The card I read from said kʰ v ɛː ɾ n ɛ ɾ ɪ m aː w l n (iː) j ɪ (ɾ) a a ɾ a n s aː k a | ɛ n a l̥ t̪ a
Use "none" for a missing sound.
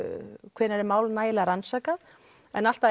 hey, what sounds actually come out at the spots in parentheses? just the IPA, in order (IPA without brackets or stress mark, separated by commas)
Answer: aː, l